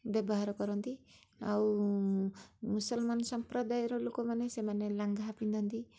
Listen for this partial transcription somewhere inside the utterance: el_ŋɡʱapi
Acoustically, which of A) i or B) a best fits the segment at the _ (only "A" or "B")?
B